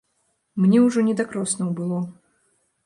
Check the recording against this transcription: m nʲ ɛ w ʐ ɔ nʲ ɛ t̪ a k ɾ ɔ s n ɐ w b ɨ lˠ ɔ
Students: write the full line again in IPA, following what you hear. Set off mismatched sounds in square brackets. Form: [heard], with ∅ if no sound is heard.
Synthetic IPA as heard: m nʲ ɛ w ʐ ɔ nʲ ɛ [d̪] a k ɾ ɔ s n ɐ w b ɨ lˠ ɔ